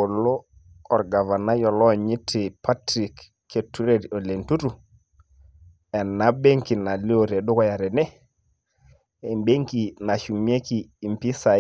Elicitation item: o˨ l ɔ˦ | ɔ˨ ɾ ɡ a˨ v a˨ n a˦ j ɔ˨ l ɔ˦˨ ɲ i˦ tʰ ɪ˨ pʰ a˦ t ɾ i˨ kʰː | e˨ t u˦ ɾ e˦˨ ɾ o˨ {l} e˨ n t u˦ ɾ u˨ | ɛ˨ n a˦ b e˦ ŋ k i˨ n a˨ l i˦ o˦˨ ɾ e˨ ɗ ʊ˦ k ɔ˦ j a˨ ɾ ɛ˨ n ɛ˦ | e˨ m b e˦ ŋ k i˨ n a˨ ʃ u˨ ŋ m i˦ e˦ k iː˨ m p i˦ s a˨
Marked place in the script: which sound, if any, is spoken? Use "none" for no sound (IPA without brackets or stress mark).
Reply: l